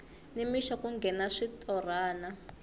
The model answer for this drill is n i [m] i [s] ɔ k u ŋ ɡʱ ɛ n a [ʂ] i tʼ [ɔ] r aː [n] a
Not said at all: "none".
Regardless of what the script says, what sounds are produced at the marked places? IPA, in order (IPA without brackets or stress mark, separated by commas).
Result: m, ʃ, ʂ, ɔ, n